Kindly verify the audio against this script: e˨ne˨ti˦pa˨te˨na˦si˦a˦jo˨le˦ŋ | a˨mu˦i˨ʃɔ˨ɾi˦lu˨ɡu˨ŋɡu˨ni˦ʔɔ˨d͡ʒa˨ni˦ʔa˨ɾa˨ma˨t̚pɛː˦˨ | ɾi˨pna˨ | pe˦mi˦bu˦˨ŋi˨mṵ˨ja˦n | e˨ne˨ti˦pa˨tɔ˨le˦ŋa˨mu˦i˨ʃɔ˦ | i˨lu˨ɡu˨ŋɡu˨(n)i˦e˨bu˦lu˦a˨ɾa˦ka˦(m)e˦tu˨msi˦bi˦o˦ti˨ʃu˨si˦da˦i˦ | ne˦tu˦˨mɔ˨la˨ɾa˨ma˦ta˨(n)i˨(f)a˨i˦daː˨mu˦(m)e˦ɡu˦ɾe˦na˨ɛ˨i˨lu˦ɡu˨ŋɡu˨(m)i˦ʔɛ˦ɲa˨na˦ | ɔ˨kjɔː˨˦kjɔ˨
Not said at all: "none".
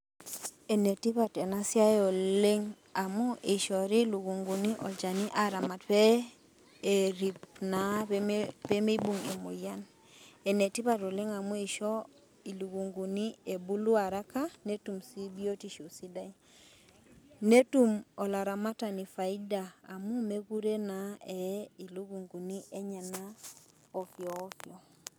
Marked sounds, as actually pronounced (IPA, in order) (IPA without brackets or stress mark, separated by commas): n, n, n, f, m, n